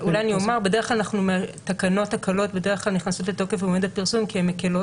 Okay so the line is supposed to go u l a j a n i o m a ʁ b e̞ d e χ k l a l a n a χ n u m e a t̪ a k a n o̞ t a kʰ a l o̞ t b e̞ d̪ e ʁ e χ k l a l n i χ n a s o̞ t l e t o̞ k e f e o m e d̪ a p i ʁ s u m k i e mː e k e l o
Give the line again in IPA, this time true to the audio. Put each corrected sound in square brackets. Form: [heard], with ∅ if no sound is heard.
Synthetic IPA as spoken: u l a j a n i o m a ʁ b e̞ d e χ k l a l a n a χ n u m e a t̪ a k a n o̞ t a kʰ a l o̞ t b e̞ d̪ e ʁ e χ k l a l n i χ n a s o̞ t l e t o̞ k e f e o m e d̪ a p i ʁ s u m k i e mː e k e l o

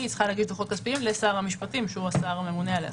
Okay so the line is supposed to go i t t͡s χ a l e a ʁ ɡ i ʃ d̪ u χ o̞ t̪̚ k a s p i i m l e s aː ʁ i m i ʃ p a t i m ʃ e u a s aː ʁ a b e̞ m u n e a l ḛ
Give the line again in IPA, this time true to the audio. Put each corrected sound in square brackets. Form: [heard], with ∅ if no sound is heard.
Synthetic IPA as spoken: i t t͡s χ a l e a [∅] ɡ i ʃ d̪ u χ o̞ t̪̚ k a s p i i m l e s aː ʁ [a] m i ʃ p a t i m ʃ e u a s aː ʁ a [m] e̞ m u n e a l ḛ

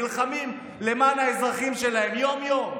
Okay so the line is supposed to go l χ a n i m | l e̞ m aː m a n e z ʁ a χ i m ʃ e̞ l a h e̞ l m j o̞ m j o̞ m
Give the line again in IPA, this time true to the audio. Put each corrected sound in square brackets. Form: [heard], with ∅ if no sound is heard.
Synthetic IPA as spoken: l χ a [m] i m | l e̞ m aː [n] a [∅] e z ʁ a χ i m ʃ e̞ l a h e̞ [∅] m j o̞ m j o̞ m

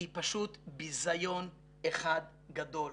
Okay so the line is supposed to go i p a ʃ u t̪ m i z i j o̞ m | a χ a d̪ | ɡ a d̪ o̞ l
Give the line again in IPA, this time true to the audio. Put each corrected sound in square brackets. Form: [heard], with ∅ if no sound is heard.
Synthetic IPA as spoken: i p a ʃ u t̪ [b] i z [a] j o̞ [n] | [e] χ a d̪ | ɡ a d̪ o̞ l

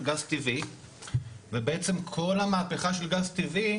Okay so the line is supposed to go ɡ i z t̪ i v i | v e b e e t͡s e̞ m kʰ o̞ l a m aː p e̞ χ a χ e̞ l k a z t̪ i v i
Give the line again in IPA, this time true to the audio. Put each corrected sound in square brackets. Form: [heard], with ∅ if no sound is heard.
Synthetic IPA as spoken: ɡ [a] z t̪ i v i | v e b e e t͡s e̞ m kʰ o̞ l a m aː p e̞ χ a [ʃ] e̞ l [ɡ] a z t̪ i v i

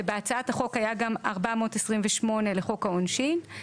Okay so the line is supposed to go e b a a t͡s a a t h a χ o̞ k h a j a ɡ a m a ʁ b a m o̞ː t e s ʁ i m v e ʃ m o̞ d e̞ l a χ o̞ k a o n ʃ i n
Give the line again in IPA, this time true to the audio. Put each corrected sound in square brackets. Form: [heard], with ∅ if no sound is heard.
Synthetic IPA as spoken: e b [e] a t͡s a a t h a χ o̞ k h a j a ɡ a m a ʁ b a m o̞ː t e s ʁ i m v e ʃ m o̞ [n] e̞ l [e] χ o̞ k a o n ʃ i n

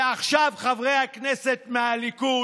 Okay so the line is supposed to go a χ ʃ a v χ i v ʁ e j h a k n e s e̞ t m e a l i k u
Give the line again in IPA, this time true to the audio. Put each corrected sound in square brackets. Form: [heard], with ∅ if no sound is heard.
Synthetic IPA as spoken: a χ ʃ a v χ [a] v ʁ e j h a k n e s e̞ t m e a l i k u

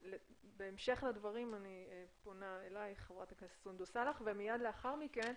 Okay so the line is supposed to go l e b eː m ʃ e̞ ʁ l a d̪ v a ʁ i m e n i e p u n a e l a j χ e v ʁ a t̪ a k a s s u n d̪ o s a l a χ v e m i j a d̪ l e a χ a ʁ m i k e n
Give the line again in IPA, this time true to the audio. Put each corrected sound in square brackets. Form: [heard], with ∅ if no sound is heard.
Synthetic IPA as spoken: l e b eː m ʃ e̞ [χ] l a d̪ v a ʁ i m [a] n i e p [o] n a e l a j χ e v ʁ a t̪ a k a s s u n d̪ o s a l a χ v e m i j a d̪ l e a χ a ʁ m i k e n

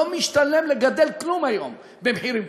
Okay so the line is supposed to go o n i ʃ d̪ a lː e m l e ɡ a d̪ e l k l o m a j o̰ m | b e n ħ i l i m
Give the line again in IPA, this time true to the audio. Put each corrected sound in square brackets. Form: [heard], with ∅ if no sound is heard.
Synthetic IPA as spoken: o [m] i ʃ [t̪] a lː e m l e ɡ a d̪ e l k l [u] m a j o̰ m | b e [m] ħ i [ɾ] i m

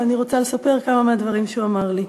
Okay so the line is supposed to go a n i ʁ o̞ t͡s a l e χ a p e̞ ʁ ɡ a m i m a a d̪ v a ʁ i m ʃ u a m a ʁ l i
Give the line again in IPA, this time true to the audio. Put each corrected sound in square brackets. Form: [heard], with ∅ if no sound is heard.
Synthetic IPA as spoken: a n i ʁ o̞ t͡s a l e [s] a p e̞ ʁ [k] a m [a] m [e] a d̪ v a ʁ i m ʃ u a m a ʁ l i

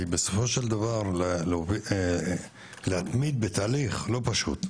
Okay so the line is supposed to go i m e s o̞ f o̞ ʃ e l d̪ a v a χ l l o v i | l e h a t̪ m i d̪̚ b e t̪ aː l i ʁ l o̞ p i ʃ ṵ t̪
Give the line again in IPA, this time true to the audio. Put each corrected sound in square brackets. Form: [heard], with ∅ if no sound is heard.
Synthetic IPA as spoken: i [b] e s o̞ f o̞ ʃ e l d̪ a v a [ʁ] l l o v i | l e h a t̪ m i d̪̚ b e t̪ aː l i [χ] l o̞ p [a] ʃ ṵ t̪

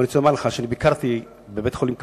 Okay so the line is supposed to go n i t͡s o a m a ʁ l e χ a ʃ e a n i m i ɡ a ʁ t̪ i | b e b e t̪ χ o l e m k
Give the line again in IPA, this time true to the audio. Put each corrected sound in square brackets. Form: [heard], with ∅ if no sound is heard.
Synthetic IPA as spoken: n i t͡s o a m a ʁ l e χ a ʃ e a n i [b] i [k] a ʁ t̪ i | b e b e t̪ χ o l [i] m k

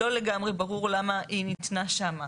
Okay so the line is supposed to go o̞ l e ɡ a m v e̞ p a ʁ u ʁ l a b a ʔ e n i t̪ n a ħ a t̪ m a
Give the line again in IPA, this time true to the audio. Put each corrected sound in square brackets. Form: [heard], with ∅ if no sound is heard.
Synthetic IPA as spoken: o̞ l e ɡ a m [ʁ] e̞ [b] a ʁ u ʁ l a [m] a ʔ [i] n i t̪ n a [ʃ] a [∅] m a

